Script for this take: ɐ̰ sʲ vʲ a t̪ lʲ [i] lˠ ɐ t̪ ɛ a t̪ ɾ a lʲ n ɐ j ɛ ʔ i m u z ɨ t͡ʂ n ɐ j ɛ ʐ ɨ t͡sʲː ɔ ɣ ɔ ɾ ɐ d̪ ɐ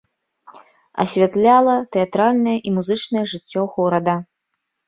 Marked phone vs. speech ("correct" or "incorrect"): incorrect